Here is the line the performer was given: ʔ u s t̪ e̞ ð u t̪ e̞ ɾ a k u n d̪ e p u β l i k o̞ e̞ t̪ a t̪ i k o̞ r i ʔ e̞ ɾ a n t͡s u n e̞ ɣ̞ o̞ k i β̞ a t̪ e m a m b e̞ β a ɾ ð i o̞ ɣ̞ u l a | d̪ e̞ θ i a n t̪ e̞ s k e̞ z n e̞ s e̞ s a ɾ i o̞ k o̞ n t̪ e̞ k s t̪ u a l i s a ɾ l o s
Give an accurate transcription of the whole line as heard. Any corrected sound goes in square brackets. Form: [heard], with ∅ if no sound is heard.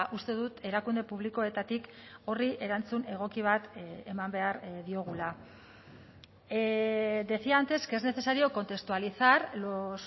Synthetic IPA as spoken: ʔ u s t̪ e̞ ð u t̪ e̞ ɾ a k u n d̪ e p u β l i k o̞ e̞ t̪ a t̪ i k o̞ r i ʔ e̞ ɾ a n t͡s u n e̞ ɣ̞ o̞ k i β̞ a t̪ e m a m b e̞ [∅] a ɾ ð i o̞ ɣ̞ u l a | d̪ e̞ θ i a n t̪ e̞ s k e̞ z n e̞ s e̞ s a ɾ i o̞ k o̞ n t̪ e̞ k s t̪ u a l i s a ɾ l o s